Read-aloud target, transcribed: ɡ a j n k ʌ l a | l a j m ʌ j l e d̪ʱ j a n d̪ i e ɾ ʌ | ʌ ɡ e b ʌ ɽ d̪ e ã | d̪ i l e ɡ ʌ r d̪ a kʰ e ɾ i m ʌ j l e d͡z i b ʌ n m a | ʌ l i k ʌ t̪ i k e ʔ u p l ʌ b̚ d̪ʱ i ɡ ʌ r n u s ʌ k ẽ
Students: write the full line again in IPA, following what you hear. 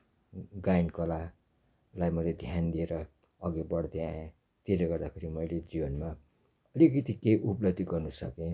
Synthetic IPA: ɡ a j n k ʌ l a | l a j m ʌ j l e d̪ʱ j a n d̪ i e ɾ ʌ | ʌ ɡ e b ʌ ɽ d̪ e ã | t̪ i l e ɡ ʌ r d̪ a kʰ e ɾ i m ʌ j l e d͡z i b ʌ n m a | ʌ l i k ʌ t̪ i k e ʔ u p l ʌ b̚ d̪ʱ i ɡ ʌ r n u s ʌ k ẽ

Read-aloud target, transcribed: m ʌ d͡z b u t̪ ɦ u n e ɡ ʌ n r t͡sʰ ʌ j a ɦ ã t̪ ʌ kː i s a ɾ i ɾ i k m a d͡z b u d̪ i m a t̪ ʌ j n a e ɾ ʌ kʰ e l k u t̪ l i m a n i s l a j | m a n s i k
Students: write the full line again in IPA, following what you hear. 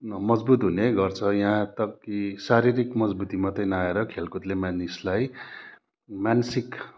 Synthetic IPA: m ʌ d͡z b u t̪ ɦ u n e ɡ ʌ r t͡sʰ ʌ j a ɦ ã t̪ ʌ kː i s a ɾ i ɾ i k m ʌ d͡z b u t̪ i m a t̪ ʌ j n a e ɾ ʌ kʰ e l k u t̪ l e m a n i s l a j | m a n s i k

